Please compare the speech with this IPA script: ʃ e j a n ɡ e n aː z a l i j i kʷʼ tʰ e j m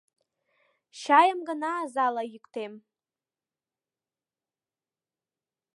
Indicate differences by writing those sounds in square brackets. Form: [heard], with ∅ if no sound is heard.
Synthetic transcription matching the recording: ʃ [a] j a [m] ɡ [a] n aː z a l [a] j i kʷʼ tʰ e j m